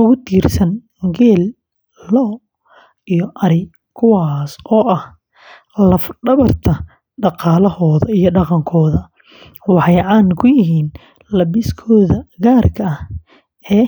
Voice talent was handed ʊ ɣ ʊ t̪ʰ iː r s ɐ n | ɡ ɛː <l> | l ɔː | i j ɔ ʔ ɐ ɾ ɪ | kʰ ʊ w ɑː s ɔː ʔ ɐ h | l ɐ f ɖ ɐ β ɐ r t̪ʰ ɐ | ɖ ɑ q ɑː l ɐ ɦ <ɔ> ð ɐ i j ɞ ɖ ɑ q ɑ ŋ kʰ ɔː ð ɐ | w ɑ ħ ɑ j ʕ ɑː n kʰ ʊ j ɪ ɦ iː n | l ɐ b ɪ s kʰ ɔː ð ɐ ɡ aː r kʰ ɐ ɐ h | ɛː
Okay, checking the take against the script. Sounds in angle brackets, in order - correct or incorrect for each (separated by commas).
correct, incorrect